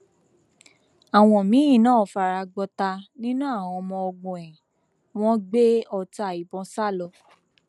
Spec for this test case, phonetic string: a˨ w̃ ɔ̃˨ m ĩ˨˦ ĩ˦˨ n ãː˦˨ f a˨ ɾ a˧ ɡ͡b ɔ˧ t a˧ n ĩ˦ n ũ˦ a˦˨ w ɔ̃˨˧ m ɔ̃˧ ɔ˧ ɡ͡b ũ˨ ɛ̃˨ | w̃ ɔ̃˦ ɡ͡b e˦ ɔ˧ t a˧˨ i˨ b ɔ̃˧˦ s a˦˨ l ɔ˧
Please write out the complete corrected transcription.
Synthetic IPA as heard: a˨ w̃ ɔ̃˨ m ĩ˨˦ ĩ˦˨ n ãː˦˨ f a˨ ɾ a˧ ɡ͡b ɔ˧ t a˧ n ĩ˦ n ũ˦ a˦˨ w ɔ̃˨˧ m ɔ̃˧ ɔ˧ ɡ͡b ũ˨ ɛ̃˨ | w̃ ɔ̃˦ ɡ͡b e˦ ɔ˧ t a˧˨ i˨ b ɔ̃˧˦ s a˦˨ l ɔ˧